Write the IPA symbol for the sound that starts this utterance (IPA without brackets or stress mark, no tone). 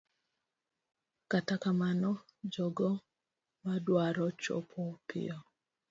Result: k